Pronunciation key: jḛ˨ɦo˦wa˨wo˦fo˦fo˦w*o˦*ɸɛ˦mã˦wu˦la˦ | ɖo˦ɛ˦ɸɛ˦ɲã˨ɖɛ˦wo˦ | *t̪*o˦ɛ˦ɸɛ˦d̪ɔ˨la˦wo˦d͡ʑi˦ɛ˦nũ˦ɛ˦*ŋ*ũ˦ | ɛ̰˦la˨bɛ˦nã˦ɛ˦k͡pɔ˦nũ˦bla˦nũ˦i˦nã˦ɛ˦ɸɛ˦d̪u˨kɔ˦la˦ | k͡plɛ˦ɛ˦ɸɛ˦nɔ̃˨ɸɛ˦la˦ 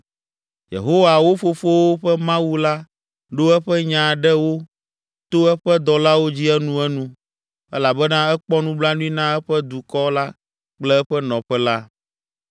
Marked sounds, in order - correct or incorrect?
correct, correct, incorrect

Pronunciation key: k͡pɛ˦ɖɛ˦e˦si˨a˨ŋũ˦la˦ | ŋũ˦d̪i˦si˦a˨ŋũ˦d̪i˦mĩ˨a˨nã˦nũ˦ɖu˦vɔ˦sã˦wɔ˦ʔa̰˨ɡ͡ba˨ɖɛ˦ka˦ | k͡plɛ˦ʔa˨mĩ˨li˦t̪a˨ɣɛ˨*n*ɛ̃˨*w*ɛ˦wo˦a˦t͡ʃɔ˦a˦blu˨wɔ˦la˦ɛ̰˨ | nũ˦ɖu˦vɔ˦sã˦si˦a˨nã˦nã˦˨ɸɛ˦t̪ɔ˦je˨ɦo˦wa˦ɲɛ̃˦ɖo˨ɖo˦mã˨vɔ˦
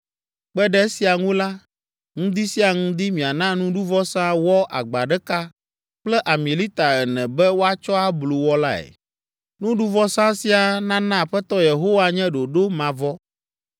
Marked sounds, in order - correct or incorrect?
correct, incorrect

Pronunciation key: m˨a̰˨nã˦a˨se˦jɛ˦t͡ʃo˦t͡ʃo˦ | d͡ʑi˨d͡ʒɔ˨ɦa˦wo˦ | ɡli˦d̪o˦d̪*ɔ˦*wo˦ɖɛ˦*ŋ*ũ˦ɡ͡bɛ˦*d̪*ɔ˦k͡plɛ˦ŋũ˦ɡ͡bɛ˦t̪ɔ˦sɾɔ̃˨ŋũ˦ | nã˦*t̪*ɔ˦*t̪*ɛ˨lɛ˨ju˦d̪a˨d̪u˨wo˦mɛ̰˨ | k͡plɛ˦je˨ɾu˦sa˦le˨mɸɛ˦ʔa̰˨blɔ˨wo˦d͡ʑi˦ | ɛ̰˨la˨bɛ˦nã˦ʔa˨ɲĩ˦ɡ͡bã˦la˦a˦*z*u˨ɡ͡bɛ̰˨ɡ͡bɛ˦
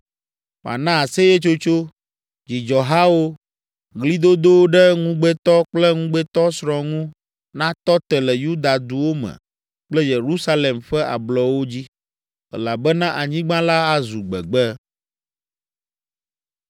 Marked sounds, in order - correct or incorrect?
incorrect, correct, incorrect, correct, correct, correct

